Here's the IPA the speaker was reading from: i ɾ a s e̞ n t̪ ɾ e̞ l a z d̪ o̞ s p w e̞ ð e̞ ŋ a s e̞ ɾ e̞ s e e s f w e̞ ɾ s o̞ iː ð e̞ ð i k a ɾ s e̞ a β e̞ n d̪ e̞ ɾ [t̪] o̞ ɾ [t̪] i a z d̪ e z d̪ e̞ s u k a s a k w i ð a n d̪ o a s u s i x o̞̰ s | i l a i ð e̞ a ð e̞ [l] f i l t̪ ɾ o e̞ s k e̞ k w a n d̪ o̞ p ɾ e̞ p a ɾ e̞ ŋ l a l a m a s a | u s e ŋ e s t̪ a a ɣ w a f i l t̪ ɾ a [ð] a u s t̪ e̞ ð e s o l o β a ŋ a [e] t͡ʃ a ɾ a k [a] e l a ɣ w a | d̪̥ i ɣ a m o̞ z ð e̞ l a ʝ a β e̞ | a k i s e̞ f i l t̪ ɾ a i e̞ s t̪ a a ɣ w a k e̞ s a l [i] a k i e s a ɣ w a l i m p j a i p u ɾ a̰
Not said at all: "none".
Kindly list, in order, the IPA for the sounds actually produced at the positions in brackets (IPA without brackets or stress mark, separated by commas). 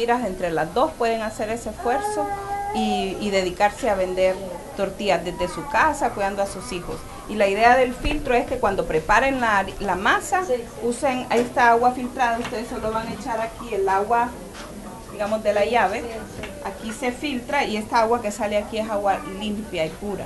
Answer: t̪, t̪, l, ð, e, i, e